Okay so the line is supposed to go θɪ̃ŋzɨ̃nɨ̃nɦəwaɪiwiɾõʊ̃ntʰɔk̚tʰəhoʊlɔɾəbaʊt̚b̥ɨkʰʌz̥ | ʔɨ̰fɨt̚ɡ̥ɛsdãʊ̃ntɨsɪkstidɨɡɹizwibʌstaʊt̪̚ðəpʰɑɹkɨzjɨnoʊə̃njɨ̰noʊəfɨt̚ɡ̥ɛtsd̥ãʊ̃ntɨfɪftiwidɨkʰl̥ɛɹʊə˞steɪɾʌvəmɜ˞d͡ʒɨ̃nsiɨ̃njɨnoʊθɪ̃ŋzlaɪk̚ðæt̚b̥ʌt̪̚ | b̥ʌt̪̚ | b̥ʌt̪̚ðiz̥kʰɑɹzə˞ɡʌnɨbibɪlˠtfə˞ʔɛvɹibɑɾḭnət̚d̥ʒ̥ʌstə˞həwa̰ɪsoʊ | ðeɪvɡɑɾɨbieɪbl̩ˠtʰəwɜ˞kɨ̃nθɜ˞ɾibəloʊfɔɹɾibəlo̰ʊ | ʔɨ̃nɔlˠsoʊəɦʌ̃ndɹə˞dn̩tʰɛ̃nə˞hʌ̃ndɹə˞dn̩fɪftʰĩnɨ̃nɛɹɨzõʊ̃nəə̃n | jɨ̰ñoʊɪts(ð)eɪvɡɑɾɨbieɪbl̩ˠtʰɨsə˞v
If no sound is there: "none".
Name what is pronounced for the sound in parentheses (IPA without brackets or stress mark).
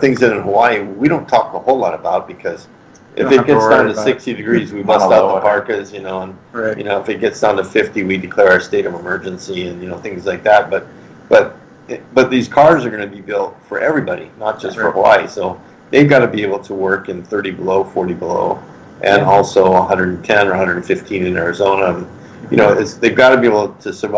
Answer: ð